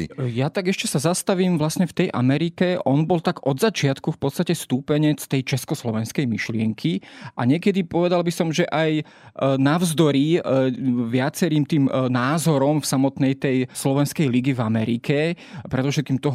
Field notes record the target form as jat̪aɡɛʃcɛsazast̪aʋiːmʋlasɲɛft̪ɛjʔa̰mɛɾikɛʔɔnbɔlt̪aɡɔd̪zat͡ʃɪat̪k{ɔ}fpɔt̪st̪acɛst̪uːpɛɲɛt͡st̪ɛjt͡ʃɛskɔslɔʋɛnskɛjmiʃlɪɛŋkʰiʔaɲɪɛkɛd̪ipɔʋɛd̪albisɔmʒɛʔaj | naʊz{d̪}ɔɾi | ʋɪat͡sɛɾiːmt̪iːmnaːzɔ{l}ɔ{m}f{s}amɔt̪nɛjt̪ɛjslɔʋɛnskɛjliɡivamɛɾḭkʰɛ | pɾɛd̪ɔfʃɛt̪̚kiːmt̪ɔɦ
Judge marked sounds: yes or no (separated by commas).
no, yes, no, yes, yes